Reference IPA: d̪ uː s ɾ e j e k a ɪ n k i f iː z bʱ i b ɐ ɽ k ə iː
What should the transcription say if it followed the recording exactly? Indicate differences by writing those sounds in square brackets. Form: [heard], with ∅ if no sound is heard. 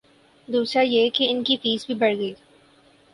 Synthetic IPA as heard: d̪ uː s ɾ [a] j e k [e] ɪ n k i f iː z bʱ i b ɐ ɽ [ɡ] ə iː